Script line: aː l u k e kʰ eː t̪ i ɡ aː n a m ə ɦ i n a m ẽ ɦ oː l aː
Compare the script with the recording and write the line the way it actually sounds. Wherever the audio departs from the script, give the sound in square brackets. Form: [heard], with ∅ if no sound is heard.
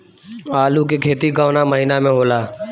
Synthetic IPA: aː l u k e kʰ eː t̪ i ɡ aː n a m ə ɦ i n a m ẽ ɦ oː l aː